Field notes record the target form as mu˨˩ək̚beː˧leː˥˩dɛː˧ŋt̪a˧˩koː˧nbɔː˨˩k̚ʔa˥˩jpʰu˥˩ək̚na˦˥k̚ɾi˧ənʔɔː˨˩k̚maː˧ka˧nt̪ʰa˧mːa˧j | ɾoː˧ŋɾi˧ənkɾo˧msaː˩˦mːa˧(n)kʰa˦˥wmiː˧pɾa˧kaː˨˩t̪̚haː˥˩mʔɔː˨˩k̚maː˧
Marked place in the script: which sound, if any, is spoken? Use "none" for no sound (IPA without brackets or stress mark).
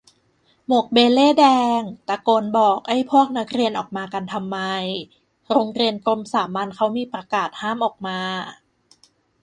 n